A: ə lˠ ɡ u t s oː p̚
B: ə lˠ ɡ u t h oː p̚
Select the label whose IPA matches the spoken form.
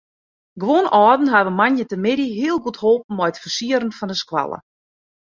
B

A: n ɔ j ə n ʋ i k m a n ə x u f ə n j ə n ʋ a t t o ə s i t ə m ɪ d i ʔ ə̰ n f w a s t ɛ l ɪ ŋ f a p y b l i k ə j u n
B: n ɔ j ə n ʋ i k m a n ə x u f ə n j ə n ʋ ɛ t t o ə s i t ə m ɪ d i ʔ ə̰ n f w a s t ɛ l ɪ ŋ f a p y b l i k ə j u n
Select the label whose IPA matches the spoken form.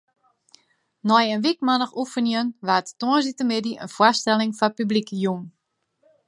A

